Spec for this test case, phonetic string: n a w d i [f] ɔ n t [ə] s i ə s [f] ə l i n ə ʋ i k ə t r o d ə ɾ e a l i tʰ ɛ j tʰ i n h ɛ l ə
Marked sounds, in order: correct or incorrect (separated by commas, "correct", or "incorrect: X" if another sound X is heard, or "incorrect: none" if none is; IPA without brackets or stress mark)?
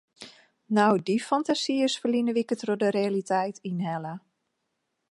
correct, incorrect: a, correct